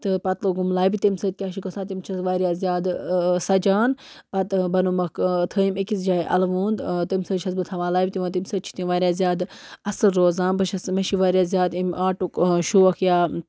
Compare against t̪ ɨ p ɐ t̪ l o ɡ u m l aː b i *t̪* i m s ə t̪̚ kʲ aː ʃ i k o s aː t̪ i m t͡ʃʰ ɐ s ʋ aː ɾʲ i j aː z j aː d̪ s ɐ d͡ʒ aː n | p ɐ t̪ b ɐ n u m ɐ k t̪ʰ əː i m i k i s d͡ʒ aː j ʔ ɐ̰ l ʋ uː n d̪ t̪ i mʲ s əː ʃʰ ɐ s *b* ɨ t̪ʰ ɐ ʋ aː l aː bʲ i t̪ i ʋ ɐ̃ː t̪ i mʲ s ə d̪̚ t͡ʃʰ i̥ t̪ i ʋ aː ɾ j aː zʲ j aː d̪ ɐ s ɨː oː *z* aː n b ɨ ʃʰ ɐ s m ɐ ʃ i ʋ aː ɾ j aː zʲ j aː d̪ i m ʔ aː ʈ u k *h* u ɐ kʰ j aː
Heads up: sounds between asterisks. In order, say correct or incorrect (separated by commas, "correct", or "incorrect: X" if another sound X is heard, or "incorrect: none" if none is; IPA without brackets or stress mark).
correct, correct, correct, incorrect: ʃ